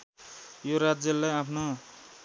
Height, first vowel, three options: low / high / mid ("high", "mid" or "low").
mid